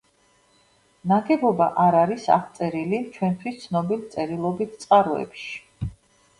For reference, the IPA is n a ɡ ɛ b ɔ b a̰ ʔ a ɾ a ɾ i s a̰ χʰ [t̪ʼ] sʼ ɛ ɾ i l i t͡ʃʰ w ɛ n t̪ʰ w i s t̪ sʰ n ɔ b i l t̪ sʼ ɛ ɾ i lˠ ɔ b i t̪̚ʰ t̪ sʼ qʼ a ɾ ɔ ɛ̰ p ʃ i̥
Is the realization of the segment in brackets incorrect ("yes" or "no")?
yes